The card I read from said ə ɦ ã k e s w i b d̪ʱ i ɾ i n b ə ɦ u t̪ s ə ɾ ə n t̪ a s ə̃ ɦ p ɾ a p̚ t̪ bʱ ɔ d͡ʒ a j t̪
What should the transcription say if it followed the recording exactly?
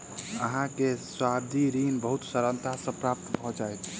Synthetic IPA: ə ɦ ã k e s w a b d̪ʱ i ɾ i n b ə ɦ u t̪ s ə ɾ ə n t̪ a s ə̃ p ɾ a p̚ t̪ bʱ ɔ d͡ʒ a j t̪